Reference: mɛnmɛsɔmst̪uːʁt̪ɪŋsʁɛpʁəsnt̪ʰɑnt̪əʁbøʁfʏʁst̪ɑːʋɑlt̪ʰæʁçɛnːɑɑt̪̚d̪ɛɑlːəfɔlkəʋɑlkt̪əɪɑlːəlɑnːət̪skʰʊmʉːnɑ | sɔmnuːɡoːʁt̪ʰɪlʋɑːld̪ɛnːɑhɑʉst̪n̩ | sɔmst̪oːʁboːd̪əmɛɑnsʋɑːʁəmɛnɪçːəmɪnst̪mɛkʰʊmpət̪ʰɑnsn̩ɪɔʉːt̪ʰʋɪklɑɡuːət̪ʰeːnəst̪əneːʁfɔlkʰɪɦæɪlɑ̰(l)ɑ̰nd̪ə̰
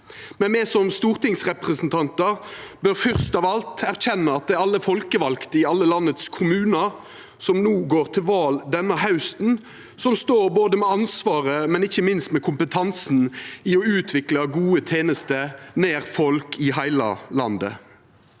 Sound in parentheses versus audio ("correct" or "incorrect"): correct